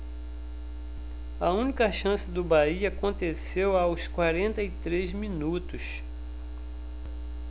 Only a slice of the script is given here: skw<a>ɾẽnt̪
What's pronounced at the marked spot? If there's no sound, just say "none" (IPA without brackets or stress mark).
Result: a